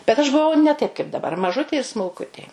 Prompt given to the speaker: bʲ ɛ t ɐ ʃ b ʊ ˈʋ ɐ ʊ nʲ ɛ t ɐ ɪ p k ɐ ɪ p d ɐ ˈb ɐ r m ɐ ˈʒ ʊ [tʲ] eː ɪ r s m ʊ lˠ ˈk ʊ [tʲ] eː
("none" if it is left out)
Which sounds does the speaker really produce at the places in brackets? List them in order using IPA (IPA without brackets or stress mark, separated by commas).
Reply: tʲ, tʲ